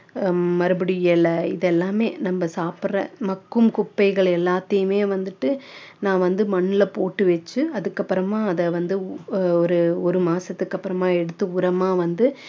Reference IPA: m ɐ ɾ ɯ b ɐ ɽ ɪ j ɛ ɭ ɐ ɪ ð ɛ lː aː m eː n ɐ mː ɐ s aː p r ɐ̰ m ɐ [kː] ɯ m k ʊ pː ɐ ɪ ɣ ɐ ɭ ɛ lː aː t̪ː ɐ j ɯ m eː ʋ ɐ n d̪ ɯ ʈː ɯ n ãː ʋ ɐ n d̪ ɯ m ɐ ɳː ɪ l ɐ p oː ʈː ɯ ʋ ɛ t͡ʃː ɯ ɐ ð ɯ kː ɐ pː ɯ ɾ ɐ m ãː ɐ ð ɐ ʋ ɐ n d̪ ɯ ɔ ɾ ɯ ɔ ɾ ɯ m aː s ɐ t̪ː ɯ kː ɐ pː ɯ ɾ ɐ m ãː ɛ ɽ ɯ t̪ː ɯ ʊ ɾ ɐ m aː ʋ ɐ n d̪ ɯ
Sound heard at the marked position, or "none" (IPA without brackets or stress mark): kː